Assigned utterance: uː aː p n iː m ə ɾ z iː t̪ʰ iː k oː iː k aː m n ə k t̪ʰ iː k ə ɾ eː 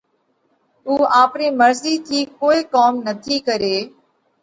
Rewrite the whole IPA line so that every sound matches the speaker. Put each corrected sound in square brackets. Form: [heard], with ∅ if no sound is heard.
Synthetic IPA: uː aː p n iː m ə ɾ z iː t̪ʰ iː k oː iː k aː m n ə [∅] t̪ʰ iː k ə ɾ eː

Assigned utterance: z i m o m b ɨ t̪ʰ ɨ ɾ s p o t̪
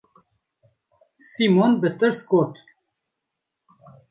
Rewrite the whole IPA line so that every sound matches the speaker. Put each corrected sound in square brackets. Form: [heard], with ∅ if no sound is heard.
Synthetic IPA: [s] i m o [n] b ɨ [t̪] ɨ ɾ s [k] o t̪

